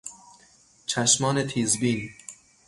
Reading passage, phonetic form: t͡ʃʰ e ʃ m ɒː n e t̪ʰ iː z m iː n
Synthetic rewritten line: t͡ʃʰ æ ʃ m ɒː n e t̪ʰ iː z b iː n